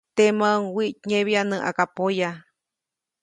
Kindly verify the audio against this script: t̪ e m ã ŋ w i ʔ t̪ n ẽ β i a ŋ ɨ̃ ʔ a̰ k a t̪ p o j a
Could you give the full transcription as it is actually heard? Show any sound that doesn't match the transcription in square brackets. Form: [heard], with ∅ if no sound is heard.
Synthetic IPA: t̪ e m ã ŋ w i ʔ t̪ [ɲ] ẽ β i a [n] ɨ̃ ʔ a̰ k a [∅] p o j a